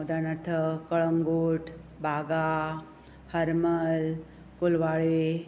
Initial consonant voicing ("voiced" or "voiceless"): voiced